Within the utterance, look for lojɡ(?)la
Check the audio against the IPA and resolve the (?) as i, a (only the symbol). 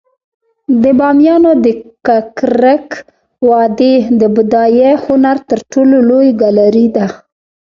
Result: a